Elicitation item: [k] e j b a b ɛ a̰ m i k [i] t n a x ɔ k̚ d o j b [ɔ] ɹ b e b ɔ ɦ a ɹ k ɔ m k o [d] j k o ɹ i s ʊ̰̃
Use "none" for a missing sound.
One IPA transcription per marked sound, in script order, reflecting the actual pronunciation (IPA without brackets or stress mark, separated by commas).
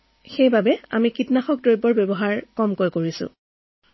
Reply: x, i, ɔ, none